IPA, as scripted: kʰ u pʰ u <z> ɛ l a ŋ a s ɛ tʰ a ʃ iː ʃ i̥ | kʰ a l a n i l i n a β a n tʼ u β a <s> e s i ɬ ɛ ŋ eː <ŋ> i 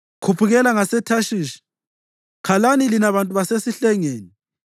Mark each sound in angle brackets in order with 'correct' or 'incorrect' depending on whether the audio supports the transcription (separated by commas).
incorrect, correct, incorrect